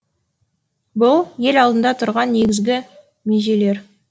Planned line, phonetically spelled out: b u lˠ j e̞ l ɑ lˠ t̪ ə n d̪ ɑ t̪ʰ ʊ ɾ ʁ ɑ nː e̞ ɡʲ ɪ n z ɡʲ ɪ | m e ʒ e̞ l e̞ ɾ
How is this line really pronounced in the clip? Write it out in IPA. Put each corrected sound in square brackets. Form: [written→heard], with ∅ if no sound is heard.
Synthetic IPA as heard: b [u→ʊ] lˠ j e̞ l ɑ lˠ [t̪→d̪] ə n d̪ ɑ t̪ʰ ʊ ɾ ʁ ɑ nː e̞ ɡʲ ɪ [n→∅] z ɡʲ ɪ | m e ʒ e̞ l e̞ ɾ